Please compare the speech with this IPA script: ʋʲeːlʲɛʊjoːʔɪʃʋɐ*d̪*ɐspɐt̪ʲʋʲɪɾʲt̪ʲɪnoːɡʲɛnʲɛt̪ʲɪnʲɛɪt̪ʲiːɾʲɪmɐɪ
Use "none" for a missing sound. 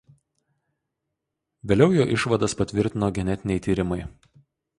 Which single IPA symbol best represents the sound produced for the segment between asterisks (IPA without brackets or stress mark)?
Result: d̪